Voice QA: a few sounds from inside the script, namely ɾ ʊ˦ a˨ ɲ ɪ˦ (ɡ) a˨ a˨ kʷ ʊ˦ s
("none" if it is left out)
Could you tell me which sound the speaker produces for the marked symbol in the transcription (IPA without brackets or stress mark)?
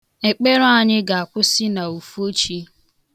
ɡ